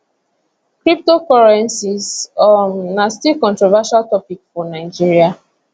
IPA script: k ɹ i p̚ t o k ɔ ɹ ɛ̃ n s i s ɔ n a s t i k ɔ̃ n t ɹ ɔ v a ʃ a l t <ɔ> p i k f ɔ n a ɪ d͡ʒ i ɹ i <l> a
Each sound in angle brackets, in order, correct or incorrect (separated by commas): correct, incorrect